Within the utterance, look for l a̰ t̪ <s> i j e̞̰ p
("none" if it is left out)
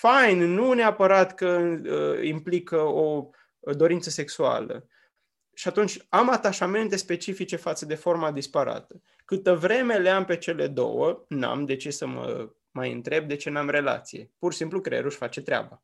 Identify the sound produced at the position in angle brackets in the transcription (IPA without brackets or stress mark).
s